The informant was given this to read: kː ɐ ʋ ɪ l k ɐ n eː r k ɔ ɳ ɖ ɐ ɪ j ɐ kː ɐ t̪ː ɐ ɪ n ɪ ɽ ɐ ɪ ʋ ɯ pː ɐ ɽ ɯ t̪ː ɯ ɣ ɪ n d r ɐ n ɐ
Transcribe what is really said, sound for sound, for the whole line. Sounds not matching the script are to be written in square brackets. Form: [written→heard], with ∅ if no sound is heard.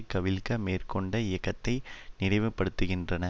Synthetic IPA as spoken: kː ɐ ʋ ɪ l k ɐ [n→m] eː r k ɔ ɳ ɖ ɐ ɪ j ɐ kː ɐ t̪ː ɐ ɪ n ɪ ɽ ɐ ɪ ʋ ɯ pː ɐ ɽ ɯ t̪ː ɯ ɣ ɪ n d r ɐ n ɐ